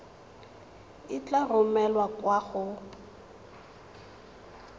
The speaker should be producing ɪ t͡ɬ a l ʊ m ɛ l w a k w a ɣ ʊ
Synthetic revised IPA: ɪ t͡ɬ a r ʊ m ɛ l w a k w a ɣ ʊ